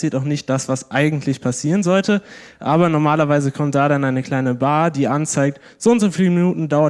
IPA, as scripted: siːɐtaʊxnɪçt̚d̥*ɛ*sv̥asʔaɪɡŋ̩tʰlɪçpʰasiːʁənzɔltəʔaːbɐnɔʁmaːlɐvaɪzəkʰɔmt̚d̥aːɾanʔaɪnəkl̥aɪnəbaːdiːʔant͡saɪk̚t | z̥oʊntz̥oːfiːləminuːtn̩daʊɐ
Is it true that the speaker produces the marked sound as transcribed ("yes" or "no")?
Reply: no